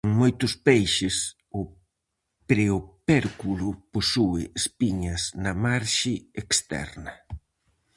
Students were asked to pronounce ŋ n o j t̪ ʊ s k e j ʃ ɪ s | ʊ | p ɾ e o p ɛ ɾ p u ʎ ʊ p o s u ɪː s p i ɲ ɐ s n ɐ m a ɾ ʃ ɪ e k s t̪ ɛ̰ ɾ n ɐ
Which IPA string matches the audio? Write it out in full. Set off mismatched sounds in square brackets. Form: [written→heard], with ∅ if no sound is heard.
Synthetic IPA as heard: ŋ [n→m] o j t̪ ʊ s [k→p] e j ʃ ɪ s | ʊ | p ɾ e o p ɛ ɾ [p→k] u [ʎ→l] ʊ p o s u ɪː s p i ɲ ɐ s n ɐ m a ɾ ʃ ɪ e k s t̪ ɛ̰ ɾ n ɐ